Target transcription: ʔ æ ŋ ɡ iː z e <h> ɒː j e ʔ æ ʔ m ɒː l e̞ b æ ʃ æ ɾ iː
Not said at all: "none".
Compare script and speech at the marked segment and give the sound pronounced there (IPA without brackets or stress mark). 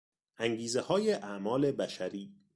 h